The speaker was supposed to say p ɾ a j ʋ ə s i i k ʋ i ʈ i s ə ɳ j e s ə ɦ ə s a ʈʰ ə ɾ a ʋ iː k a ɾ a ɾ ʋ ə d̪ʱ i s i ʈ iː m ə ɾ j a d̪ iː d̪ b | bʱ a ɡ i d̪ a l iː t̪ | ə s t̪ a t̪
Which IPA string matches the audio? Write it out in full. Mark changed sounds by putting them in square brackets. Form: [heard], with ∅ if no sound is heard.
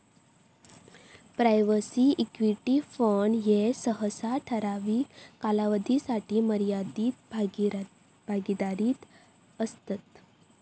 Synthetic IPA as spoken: p ɾ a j ʋ ə s i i k ʋ i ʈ i [f] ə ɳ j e s ə ɦ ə s a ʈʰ ə ɾ a ʋ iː k a [l] a [∅] ʋ ə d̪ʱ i s [a] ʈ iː m ə ɾ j a d̪ iː [t̪] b | bʱ a ɡ i d̪ a [ɾ] iː t̪ | ə s t̪ a t̪